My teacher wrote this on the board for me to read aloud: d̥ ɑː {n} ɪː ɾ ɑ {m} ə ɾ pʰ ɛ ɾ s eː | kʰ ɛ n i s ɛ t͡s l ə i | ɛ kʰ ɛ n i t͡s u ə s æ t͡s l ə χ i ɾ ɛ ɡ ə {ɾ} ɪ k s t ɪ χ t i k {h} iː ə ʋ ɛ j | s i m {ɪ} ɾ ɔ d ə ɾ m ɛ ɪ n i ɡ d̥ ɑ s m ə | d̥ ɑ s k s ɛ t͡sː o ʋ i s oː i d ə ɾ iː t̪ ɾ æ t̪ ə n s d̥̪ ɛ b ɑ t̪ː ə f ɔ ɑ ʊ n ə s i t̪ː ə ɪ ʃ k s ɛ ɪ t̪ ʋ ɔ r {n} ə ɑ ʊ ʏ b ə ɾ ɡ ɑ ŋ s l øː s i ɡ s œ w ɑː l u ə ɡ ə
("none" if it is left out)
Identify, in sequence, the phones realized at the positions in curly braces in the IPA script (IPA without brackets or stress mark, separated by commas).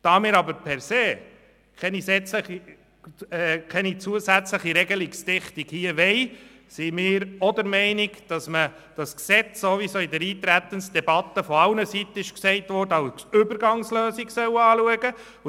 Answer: m, b, l, h, ɪː, d